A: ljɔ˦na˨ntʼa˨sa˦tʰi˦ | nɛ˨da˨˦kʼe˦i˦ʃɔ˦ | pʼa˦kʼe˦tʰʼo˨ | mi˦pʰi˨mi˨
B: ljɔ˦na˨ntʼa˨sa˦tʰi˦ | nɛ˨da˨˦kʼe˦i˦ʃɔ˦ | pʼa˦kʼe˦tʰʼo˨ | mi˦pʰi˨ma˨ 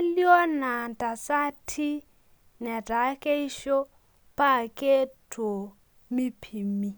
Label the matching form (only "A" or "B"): A